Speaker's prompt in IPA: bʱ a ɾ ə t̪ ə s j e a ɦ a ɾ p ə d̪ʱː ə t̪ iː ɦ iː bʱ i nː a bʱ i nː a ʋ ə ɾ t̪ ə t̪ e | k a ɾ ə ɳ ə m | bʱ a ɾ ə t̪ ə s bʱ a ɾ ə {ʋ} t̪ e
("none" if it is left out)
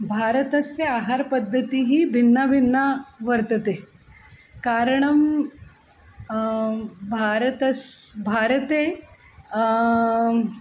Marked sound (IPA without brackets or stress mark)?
none